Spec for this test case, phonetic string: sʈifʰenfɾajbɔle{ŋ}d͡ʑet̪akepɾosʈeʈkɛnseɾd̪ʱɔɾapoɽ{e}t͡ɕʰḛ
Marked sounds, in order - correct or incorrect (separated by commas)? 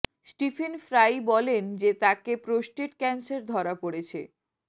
incorrect, correct